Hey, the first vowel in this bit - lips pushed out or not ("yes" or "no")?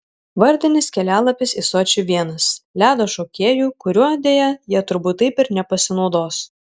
no